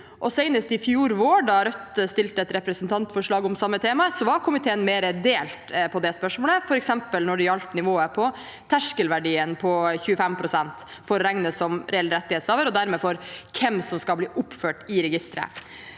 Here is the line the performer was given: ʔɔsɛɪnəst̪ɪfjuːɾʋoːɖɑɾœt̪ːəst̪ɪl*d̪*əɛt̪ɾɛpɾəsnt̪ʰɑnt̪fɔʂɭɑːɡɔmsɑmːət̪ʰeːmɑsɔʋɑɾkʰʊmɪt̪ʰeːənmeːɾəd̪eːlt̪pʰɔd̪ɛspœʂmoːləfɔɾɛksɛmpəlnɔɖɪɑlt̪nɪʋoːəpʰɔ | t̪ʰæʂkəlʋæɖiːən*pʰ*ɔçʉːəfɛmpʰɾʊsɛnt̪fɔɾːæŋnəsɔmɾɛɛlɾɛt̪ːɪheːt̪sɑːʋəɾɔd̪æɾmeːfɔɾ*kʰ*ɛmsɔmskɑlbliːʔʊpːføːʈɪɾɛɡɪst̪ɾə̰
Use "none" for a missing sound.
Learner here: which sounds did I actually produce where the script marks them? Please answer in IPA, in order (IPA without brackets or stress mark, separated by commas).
t̪, pʰ, kʰ